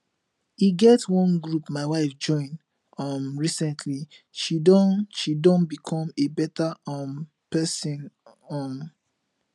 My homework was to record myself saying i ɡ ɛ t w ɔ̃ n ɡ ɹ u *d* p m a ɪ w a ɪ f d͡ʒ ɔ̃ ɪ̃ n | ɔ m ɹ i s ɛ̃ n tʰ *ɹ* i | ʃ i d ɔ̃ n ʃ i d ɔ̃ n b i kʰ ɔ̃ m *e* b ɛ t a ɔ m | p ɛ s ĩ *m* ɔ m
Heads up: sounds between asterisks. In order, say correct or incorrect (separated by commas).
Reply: incorrect, incorrect, correct, incorrect